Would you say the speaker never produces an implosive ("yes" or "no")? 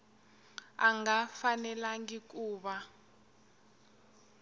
no